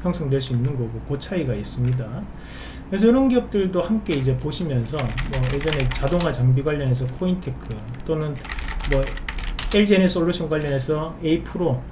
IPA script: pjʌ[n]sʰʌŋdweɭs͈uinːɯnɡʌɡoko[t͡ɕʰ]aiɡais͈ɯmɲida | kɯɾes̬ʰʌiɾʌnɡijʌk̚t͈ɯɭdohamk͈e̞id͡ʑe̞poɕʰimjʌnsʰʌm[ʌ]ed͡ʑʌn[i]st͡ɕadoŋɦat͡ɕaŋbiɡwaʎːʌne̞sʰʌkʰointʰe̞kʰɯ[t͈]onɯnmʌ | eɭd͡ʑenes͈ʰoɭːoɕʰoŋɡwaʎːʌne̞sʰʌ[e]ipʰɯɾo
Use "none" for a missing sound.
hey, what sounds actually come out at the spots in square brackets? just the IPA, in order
ŋ, t͡ɕʰ, ʌ, e, t͈, e

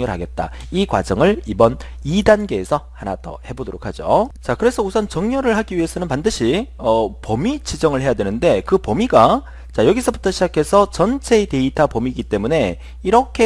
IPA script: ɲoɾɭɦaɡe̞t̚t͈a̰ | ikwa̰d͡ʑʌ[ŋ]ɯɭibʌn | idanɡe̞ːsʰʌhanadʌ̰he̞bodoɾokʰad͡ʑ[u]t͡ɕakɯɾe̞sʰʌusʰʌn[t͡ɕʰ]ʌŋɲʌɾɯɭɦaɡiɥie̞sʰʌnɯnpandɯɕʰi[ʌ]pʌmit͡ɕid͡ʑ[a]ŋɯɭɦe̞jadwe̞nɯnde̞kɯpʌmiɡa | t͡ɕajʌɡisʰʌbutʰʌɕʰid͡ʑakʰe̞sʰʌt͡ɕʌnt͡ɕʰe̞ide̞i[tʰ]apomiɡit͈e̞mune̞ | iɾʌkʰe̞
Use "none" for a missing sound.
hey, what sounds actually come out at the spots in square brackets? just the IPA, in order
ŋ, o, t͡ɕ, ʌ, ʌ, tʰ

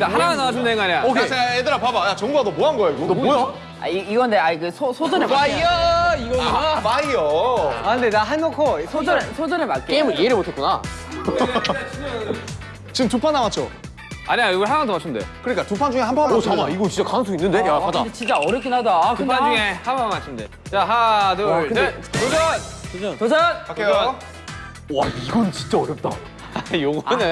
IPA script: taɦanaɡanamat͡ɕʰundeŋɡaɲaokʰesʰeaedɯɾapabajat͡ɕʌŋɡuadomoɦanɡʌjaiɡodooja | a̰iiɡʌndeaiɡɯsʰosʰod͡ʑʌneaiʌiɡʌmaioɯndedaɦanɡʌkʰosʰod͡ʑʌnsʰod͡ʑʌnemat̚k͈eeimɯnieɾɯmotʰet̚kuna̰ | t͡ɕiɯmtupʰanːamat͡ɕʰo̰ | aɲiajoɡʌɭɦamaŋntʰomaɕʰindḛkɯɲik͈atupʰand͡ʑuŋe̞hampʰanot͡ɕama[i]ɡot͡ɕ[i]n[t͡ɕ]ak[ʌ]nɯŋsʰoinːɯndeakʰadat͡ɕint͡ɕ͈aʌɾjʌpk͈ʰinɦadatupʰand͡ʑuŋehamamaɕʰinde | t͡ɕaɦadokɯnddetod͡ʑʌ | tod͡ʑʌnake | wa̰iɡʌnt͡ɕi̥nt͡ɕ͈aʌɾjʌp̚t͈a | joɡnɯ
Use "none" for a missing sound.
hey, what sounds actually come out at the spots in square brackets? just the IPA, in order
i, i, t͡ɕ, a

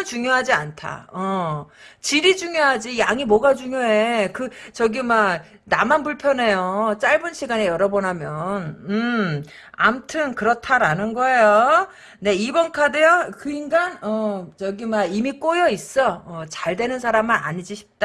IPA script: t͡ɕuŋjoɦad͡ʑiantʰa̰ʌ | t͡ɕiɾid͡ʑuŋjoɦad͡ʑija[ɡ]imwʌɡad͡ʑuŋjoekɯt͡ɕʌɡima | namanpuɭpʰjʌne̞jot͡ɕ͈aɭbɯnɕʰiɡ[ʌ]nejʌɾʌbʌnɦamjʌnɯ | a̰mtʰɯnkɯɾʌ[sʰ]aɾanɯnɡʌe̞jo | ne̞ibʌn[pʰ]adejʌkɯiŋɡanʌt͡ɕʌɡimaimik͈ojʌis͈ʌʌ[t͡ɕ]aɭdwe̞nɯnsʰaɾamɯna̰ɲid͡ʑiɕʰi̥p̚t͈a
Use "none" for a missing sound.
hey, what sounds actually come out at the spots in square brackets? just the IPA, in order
ŋ, a, tʰ, kʰ, t͡ɕ

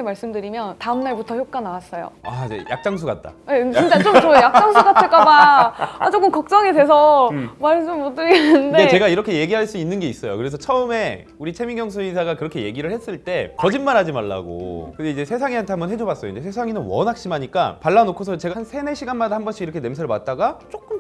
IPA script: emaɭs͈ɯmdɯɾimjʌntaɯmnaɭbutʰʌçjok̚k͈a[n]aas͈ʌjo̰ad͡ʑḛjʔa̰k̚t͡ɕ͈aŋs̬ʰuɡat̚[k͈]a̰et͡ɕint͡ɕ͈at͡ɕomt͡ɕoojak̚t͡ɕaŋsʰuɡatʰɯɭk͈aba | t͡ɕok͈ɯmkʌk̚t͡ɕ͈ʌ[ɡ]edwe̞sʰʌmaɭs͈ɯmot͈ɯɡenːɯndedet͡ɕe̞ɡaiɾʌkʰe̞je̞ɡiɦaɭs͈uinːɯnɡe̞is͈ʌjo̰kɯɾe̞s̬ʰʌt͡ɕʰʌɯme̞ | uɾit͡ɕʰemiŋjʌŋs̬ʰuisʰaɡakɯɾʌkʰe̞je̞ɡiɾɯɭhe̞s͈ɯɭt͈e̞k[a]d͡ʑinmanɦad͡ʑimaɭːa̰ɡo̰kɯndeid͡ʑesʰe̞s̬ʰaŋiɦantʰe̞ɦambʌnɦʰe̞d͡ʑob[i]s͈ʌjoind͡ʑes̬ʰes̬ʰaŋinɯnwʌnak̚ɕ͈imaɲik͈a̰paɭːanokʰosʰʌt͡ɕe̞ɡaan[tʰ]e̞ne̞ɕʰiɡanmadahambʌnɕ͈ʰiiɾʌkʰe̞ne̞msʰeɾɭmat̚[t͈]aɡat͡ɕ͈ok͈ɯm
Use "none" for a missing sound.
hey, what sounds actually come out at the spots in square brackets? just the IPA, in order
n, t͈, ŋ, ʌ, a, sʰ, t͈

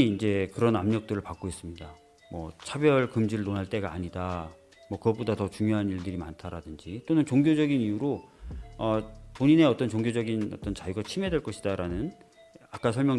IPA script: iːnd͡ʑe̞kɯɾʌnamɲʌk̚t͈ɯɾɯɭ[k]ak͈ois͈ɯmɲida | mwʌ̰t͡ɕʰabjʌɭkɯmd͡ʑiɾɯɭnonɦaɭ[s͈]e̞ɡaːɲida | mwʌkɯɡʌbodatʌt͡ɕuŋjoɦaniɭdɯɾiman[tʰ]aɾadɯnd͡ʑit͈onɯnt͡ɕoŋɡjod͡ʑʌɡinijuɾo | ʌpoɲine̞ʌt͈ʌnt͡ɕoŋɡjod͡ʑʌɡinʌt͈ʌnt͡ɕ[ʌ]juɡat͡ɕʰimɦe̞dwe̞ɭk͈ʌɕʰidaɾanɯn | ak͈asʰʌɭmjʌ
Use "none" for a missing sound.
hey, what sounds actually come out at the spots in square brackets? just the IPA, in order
p, t͈, tʰ, a

